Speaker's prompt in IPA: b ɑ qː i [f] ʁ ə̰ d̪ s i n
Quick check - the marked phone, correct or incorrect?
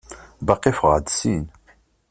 correct